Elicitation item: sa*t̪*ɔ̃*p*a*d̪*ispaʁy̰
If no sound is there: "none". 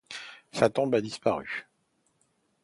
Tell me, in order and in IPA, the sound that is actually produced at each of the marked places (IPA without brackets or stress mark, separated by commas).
t̪, b, d̪